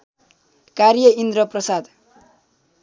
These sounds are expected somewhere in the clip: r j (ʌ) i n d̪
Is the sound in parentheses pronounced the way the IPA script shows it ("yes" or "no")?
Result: yes